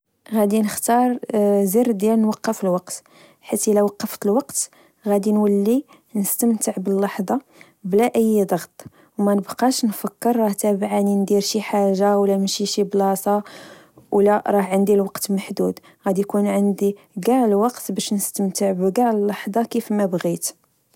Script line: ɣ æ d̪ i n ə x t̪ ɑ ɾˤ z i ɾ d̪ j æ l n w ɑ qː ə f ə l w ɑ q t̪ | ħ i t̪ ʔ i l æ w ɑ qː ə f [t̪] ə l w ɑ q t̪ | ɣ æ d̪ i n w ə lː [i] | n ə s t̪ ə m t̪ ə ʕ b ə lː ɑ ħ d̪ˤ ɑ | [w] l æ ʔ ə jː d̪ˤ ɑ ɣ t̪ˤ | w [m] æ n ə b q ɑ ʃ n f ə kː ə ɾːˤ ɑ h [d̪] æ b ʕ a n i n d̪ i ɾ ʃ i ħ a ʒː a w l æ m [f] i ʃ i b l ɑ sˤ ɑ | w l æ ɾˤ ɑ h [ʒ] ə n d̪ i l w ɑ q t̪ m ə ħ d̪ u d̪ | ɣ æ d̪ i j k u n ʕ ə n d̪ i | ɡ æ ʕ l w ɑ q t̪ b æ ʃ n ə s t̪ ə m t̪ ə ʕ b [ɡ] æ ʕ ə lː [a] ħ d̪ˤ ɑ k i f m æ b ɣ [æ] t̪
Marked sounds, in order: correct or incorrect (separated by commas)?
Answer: correct, correct, incorrect, correct, incorrect, incorrect, incorrect, correct, incorrect, incorrect